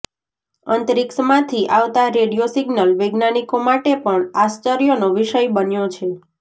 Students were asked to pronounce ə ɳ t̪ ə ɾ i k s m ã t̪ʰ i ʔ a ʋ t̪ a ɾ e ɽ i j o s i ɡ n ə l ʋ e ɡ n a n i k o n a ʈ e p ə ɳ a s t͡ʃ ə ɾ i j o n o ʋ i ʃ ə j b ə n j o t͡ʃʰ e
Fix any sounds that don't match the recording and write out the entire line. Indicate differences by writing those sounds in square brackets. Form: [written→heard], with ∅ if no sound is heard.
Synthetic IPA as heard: ə [ɳ→n] t̪ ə ɾ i k s m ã t̪ʰ i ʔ a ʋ t̪ a ɾ e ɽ i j o s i ɡ n ə l ʋ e ɡ n a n i k o [n→m] a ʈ e p ə ɳ a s t͡ʃ ə ɾ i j o n o ʋ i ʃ ə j b ə n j o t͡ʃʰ e